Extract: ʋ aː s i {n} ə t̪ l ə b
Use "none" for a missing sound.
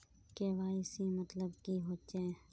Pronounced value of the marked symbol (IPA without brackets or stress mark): m